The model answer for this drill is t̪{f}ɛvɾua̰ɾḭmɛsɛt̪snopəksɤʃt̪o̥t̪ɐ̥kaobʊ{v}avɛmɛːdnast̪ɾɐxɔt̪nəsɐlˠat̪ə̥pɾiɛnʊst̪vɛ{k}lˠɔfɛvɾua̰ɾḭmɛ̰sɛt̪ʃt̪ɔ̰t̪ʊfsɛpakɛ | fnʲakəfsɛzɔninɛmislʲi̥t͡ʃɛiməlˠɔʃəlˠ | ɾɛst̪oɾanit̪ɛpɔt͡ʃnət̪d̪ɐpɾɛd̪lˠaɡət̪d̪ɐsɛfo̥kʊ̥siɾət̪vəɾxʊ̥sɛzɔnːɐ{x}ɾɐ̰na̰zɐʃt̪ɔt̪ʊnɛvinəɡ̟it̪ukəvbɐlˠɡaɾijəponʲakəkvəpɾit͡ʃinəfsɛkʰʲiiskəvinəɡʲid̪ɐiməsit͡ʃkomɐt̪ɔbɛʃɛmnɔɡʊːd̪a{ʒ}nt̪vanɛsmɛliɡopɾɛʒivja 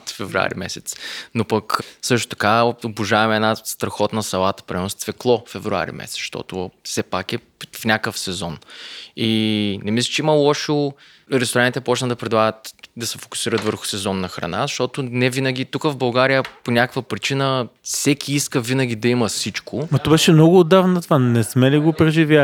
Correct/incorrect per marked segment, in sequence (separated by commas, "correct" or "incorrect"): correct, incorrect, correct, correct, incorrect